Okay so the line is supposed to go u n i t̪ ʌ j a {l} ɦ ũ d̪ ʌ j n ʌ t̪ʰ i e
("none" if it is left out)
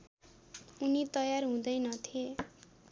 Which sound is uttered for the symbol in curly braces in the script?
r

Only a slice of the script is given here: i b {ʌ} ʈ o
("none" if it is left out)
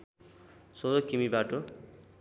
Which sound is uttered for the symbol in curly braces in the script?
a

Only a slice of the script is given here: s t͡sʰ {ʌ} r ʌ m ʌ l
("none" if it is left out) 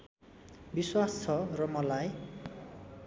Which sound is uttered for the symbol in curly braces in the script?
ʌ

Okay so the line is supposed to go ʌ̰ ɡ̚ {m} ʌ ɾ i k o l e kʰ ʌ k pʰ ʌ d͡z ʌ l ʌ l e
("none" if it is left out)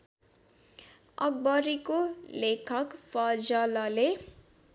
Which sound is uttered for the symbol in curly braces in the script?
b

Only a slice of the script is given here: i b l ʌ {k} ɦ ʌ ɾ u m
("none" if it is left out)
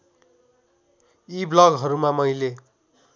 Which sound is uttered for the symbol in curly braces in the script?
ɡ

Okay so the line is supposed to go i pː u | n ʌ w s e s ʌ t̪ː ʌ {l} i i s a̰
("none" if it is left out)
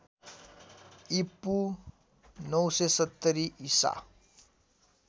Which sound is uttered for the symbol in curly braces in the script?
ɾ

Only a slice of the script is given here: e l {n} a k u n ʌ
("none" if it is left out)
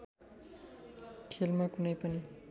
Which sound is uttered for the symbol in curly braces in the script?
m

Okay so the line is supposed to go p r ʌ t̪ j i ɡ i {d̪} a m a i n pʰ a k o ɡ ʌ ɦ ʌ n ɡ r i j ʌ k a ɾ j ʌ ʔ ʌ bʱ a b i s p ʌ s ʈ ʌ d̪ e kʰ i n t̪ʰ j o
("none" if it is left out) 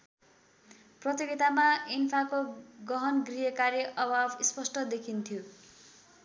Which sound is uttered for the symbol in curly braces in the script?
t̪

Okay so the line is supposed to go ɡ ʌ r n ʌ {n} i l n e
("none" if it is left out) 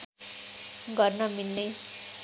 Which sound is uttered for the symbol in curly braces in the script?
m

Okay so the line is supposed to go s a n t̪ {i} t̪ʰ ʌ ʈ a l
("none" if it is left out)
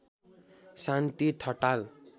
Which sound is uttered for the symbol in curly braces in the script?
i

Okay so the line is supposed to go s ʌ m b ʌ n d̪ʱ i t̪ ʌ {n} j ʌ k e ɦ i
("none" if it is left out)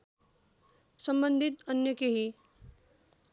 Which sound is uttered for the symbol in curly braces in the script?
n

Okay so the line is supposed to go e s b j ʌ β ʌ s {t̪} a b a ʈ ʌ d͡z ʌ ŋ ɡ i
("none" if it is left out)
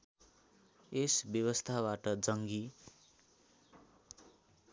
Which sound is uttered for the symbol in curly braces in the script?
t̪ʰ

